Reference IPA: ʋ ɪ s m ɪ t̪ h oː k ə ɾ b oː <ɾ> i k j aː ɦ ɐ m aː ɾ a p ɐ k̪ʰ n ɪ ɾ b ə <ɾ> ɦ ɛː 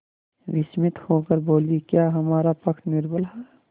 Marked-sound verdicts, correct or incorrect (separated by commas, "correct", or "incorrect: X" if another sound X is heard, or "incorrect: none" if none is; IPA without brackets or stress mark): incorrect: l, incorrect: l